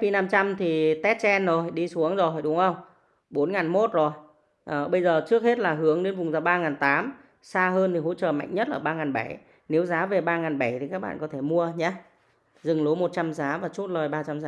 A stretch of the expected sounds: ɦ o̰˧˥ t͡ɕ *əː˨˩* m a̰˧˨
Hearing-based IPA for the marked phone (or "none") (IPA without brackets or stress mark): əː˨˩